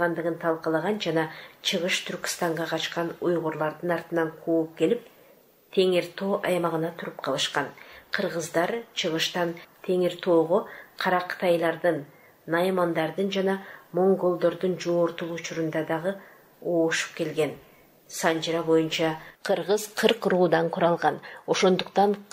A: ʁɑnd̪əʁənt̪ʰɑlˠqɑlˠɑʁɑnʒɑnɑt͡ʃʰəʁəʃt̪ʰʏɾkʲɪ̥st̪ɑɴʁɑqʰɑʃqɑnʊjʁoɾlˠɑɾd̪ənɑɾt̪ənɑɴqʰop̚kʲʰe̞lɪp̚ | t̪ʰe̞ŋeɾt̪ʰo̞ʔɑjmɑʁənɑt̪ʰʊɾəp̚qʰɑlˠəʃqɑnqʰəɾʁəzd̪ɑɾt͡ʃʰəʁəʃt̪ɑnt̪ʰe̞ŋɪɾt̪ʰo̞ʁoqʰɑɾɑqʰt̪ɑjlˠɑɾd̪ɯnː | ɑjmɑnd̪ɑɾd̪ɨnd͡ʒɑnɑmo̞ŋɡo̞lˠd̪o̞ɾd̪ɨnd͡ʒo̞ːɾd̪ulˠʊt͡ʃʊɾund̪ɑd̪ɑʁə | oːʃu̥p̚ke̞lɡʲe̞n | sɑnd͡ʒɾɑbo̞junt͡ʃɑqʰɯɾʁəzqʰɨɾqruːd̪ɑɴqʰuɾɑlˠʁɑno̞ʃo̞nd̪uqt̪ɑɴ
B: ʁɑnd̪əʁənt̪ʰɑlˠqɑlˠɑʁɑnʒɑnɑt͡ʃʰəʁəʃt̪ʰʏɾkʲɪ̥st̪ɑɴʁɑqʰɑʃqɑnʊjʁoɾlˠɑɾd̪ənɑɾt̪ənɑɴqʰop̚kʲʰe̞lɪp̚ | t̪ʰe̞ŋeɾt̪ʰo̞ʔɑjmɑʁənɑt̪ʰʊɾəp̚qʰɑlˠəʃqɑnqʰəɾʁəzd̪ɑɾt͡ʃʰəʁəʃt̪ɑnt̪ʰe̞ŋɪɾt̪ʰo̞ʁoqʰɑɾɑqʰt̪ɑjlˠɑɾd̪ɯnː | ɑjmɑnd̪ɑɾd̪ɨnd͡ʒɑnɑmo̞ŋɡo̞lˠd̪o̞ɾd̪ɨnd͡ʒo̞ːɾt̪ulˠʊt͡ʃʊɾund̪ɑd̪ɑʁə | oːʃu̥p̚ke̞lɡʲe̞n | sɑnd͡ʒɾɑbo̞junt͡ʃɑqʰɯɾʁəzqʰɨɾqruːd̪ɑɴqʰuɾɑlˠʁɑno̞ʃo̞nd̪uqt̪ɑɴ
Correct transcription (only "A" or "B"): B